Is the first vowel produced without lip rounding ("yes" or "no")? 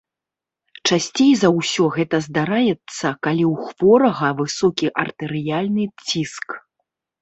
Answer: yes